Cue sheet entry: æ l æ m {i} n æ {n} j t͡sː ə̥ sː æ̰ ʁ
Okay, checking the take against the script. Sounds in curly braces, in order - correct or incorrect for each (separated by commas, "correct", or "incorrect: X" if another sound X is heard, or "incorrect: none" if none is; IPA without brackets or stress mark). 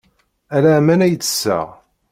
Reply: incorrect: æ, incorrect: none